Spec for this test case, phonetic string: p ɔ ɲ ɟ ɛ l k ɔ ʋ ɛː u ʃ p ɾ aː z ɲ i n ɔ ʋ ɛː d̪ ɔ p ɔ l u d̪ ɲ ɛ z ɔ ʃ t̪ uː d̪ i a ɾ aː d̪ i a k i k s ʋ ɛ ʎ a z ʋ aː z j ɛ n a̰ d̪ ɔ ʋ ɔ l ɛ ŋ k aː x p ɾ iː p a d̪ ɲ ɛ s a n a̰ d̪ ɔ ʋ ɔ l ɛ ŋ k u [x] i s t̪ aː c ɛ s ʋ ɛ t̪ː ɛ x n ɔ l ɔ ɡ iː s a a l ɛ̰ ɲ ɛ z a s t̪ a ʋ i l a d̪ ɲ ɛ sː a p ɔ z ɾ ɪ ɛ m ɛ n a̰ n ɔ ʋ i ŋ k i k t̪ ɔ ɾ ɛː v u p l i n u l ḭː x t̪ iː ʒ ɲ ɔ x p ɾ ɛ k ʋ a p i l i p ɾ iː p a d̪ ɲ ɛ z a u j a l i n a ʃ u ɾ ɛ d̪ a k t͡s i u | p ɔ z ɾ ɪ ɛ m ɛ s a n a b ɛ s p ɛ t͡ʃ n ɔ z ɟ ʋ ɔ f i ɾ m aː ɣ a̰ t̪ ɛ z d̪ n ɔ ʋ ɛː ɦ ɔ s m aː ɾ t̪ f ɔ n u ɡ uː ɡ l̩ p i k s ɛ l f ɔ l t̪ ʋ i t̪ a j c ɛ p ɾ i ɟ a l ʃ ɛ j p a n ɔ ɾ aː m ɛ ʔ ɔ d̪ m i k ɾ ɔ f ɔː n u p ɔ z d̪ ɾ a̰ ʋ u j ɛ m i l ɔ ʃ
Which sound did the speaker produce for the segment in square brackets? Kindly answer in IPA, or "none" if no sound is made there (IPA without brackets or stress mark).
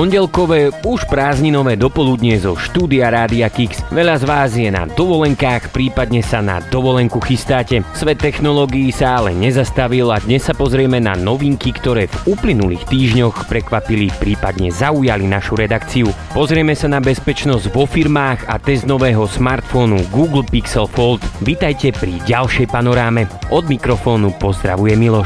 x